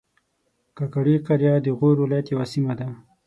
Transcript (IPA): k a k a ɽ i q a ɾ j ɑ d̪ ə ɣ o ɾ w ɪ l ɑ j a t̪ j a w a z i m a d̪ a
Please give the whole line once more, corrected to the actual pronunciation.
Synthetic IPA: k a k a ɽ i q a ɾ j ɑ d̪ ə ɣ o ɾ w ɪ l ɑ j a t̪ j a w a s i m a d̪ a